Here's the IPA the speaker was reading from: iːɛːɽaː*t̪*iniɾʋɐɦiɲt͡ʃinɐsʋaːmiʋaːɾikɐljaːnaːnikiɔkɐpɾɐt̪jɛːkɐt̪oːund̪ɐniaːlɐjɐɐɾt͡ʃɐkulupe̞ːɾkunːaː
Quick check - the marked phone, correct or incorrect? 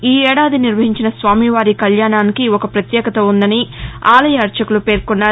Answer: incorrect